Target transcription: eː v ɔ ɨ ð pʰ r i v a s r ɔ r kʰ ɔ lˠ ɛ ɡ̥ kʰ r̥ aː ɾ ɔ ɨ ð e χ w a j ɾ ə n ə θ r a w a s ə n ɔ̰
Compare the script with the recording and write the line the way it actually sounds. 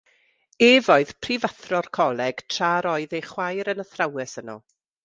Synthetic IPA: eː v ɔ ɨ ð pʰ r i v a θ r ɔ r kʰ ɔ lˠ ɛ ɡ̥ tʰ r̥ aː ɾ ɔ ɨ ð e χ w a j ɾ ə n ə θ r a w ɛ s ə n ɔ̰

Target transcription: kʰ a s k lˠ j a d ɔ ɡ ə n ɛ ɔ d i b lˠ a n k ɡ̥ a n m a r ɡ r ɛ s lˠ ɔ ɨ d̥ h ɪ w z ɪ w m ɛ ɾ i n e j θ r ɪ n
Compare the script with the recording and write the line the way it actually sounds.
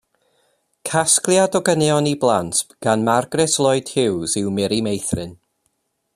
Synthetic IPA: kʰ a s k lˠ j a d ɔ ɡ ə n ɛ ɔ n i b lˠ a n t ɡ̥ a n m a r ɡ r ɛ s lˠ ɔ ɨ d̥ h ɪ w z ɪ w m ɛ ɾ i m e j θ r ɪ n

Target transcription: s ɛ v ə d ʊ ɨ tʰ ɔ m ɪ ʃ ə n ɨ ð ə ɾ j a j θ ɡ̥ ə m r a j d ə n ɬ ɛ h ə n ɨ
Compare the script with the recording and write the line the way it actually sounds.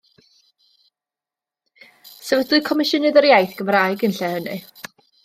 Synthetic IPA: s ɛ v ə d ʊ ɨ kʰ ɔ m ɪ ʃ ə n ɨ ð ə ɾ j a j θ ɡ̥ ə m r a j ɡ ə n ɬ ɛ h ə n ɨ

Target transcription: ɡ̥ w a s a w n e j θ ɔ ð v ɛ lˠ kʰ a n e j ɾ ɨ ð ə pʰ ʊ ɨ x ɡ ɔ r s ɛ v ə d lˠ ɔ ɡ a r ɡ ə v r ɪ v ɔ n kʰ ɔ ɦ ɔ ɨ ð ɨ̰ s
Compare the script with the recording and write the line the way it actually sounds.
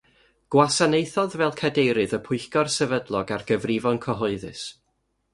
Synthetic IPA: ɡ̥ w a s a n e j θ ɔ ð v ɛ lˠ kʰ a d e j ɾ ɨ ð ə pʰ ʊ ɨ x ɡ ɔ r s ɛ v ə d lˠ ɔ ɡ a r ɡ ə v r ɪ v ɔ n kʰ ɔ ɦ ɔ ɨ ð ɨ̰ s

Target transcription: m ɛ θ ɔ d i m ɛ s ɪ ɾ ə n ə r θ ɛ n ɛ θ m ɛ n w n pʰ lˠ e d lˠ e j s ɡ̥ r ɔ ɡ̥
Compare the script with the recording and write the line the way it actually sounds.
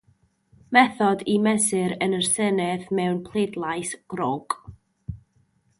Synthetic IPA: m ɛ θ ɔ d i m ɛ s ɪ ɾ ə n ə r s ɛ n ɛ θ m ɛ w n pʰ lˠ e d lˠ a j s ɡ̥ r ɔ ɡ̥

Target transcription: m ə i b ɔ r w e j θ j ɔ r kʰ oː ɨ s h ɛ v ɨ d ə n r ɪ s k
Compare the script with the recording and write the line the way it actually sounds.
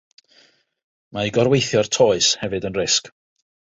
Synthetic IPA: m a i ɡ ɔ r w e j θ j ɔ r tʰ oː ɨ s h ɛ v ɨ d ə n r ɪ s k

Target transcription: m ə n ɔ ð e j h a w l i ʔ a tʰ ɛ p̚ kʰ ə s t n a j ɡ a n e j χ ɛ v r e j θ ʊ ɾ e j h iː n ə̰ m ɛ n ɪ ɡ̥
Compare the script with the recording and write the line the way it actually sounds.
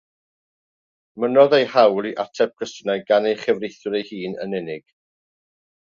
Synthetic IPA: m ə n ɔ ð e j h a w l i ʔ a tʰ ɛ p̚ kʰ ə s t n a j ɡ a n e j χ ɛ v r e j θ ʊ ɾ e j h iː n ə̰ n ɛ n ɪ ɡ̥

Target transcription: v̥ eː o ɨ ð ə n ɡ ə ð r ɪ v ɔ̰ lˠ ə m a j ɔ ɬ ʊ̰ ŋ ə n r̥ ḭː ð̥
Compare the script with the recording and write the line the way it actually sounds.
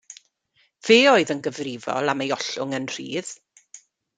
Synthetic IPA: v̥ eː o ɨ ð ə n ɡ ə v r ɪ v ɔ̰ lˠ a m e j ɔ ɬ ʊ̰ ŋ ə n r̥ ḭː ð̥

